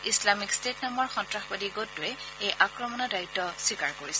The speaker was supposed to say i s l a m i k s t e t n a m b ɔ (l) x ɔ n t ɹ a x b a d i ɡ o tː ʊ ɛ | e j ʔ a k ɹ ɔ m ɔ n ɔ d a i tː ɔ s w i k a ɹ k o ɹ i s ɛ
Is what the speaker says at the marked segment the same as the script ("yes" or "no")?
no